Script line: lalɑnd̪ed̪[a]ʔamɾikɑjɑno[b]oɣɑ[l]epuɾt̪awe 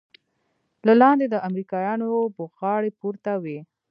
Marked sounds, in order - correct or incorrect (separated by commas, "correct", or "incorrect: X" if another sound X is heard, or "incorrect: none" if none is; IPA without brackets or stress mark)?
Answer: incorrect: ə, correct, incorrect: ɽ